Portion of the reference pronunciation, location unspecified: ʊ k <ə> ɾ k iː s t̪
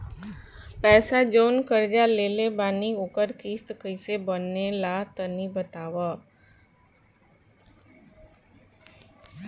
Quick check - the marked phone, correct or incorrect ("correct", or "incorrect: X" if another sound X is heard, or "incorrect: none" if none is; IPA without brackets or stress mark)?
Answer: correct